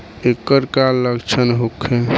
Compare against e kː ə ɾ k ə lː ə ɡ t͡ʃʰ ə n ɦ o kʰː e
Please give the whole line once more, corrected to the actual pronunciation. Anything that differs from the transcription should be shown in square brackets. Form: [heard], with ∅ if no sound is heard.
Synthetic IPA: e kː ə ɾ k [a] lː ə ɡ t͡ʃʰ ə n ɦ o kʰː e